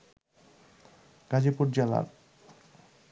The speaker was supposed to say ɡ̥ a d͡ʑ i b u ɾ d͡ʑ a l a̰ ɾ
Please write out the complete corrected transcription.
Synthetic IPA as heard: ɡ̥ a d͡ʑ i p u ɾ d͡ʑ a l a̰ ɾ